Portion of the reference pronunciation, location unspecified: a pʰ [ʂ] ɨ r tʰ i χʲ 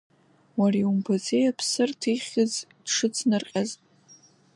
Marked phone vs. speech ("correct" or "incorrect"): incorrect